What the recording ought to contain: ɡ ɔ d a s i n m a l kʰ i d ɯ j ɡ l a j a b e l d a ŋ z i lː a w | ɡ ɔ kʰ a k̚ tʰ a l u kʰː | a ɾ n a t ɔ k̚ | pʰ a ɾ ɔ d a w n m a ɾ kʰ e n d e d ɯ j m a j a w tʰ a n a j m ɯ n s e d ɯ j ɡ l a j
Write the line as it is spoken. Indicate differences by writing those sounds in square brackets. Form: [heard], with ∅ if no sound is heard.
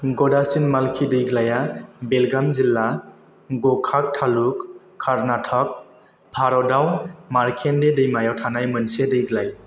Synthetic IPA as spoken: ɡ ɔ d a s i n m a l kʰ i d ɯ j ɡ l a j a b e l [ɡ] a [m] z i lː a [∅] | ɡ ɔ kʰ a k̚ tʰ a l u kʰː | a ɾ n a [tʰ] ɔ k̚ | pʰ a ɾ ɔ d a w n m a ɾ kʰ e n d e d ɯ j m a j a w tʰ a n a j m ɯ n s e d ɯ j ɡ l a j